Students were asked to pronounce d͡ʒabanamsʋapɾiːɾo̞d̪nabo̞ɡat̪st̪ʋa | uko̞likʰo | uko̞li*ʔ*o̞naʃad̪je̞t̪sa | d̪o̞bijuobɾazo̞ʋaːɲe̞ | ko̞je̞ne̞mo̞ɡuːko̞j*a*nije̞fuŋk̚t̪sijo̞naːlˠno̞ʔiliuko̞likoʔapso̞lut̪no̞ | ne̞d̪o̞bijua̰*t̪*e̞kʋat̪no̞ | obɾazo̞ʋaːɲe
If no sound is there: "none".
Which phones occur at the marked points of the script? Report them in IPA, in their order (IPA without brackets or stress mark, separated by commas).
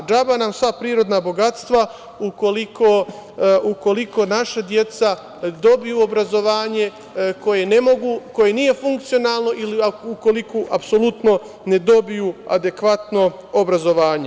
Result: k, e, d̪